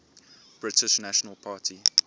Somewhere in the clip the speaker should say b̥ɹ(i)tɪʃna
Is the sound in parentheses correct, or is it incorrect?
incorrect: ɪ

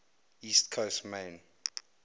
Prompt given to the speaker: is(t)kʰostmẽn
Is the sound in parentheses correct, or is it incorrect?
correct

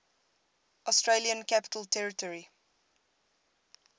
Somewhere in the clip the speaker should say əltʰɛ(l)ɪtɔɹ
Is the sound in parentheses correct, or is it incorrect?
incorrect: ɹ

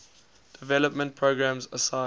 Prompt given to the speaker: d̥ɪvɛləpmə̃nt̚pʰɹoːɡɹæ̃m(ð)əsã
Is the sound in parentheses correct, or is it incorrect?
incorrect: z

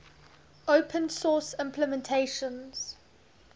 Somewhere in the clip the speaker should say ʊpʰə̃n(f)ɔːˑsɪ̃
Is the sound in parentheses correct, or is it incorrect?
incorrect: s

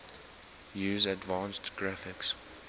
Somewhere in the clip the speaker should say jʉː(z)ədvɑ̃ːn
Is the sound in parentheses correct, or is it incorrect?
correct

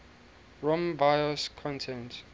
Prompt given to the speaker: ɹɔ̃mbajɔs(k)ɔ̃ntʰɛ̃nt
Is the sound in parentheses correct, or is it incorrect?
incorrect: kʰ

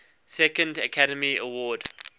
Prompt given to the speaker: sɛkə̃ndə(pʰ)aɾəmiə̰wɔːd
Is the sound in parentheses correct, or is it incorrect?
incorrect: kʰ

